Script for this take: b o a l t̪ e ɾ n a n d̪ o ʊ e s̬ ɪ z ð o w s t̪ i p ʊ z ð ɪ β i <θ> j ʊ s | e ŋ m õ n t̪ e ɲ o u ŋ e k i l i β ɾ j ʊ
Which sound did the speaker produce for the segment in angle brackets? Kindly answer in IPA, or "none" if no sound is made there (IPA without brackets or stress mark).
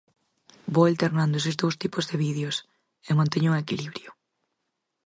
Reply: ð